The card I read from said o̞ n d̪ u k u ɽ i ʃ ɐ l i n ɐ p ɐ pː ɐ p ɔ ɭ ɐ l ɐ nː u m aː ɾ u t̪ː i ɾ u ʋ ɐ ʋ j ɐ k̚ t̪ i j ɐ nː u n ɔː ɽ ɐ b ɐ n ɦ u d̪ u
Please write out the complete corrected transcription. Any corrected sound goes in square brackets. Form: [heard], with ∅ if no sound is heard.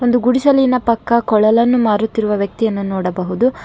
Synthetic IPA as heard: o̞ n d̪ u [ɡ] u ɽ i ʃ ɐ l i n ɐ p ɐ [kː] ɐ [k] ɔ ɭ ɐ l ɐ nː u m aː ɾ u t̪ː i ɾ u ʋ ɐ ʋ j ɐ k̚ t̪ i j ɐ nː u n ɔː ɽ ɐ b ɐ [∅] ɦ u d̪ u